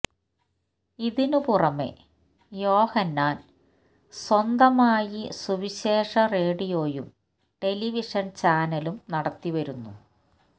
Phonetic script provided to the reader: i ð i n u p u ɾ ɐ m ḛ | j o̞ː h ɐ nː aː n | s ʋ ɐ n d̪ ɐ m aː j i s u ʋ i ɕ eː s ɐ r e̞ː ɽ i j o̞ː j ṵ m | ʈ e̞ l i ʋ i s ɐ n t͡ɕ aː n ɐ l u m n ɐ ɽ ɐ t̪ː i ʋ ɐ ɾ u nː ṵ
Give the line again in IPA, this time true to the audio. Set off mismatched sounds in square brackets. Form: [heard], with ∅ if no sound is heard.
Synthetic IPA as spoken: i ð i n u p u [r] ɐ m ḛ | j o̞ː h ɐ nː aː n | s [w] ɐ n d̪ ɐ m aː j i s u ʋ i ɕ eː [ʂ] ɐ r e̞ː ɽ i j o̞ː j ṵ m | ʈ e̞ l i ʋ i [ʂ] ɐ n t͡ɕ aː n ɐ l u m n ɐ ɽ ɐ t̪ː i ʋ ɐ ɾ u nː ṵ